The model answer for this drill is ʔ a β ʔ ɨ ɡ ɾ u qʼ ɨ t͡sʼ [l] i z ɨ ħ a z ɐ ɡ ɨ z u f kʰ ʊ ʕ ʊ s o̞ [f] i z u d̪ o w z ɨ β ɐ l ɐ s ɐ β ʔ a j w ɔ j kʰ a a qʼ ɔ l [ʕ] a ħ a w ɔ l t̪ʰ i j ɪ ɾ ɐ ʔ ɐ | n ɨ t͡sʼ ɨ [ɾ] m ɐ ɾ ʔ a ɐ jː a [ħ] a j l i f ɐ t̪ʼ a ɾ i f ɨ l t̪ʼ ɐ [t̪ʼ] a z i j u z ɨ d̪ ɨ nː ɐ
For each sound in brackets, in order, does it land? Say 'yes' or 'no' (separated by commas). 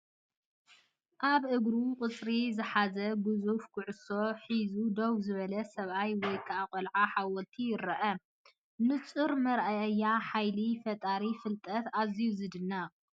no, no, yes, yes, yes, no